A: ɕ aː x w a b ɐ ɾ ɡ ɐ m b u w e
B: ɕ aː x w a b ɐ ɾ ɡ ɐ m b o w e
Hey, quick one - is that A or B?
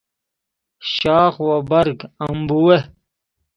A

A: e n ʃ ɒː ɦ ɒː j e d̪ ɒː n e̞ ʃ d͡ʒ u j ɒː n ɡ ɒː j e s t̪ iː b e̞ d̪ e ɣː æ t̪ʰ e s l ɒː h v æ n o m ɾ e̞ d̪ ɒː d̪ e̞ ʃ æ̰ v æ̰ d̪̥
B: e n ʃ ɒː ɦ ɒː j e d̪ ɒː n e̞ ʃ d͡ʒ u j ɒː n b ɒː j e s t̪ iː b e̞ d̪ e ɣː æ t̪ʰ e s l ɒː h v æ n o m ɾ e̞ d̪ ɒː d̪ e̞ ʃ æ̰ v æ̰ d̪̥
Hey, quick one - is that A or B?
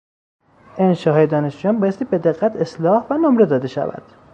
B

